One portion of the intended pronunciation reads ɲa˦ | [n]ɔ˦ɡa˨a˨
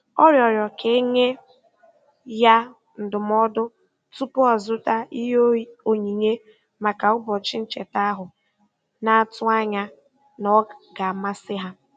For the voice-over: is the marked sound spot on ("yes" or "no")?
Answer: yes